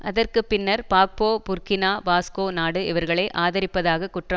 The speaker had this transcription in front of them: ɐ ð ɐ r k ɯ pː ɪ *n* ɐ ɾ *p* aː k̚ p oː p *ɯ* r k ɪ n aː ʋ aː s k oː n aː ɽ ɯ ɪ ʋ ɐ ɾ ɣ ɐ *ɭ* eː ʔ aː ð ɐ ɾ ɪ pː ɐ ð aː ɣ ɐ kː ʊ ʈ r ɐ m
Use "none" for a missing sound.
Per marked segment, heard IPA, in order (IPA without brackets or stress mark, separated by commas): nː, p, ʊ, ɭ